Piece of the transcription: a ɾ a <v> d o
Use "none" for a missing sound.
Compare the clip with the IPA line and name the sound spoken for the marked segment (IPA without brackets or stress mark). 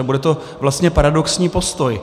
none